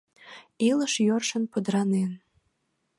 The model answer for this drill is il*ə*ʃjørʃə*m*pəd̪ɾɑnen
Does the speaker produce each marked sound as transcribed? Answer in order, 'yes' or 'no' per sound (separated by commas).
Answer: yes, no